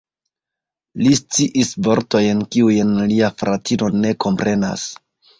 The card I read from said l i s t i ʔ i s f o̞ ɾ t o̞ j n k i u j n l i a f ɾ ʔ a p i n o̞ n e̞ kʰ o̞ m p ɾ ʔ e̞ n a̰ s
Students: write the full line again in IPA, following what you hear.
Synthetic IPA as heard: l i s t͡s i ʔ i s v o̞ ɾ t o̞ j n k i u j n l i a f ɾ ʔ a t i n o̞ n e̞ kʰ o̞ m p ɾ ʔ e̞ n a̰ s